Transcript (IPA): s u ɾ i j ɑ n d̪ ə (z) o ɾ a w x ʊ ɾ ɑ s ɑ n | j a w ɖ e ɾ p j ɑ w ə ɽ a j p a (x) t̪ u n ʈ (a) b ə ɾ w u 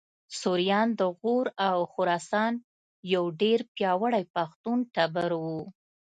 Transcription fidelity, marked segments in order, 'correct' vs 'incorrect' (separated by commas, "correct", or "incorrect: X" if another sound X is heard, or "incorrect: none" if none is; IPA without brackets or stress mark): incorrect: ɣ, correct, correct